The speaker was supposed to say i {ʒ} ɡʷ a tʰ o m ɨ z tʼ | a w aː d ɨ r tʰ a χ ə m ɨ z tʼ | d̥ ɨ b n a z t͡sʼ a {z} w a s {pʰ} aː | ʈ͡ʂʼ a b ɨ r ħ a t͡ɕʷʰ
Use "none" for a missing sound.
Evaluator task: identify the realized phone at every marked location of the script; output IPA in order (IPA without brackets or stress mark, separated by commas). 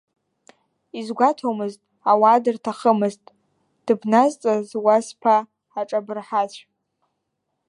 z, z, pʰ